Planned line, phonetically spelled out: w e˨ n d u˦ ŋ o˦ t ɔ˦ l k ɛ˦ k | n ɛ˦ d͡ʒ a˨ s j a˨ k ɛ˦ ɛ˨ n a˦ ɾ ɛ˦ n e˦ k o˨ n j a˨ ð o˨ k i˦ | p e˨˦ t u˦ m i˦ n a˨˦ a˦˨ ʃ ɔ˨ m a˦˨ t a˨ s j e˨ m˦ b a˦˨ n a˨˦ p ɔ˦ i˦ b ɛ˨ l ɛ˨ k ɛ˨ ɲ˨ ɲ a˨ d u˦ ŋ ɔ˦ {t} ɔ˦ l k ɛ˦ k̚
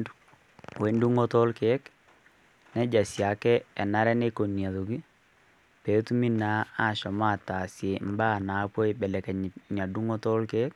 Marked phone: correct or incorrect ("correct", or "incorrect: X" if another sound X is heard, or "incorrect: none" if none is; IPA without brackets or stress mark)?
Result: correct